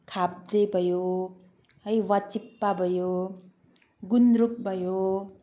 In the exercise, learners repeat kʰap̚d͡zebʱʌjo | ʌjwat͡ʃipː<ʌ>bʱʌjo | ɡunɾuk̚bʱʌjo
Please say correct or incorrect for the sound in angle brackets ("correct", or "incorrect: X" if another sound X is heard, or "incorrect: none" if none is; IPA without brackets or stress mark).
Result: incorrect: a